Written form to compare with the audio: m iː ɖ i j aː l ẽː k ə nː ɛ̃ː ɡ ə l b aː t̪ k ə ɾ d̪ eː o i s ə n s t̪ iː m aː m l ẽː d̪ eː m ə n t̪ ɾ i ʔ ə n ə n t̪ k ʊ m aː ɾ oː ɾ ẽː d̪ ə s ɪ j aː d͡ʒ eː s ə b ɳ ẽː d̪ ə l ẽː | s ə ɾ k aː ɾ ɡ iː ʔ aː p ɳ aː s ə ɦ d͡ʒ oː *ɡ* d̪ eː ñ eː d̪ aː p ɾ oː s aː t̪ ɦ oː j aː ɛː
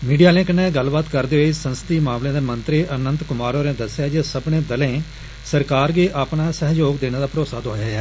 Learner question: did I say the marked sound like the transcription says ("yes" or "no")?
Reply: yes